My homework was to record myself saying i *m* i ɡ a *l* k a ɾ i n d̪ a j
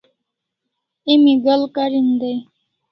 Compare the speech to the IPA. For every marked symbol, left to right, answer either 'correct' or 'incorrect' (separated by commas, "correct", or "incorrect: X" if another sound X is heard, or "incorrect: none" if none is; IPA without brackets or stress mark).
correct, correct